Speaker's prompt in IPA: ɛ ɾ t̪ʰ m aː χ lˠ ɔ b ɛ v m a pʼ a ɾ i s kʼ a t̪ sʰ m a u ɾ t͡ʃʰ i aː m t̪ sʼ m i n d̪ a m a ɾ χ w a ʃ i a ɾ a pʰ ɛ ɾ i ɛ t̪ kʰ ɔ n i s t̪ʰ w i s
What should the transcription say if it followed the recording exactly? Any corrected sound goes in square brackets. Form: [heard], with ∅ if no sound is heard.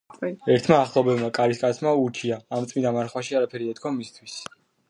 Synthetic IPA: ɛ ɾ t̪ʰ m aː χ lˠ ɔ b ɛ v m a [kʼ] a ɾ i s kʼ a t̪ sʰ m a u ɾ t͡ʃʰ i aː m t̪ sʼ m i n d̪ a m a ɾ χ w a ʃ i a ɾ a pʰ ɛ ɾ i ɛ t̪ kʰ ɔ [m] i s t̪ʰ w i s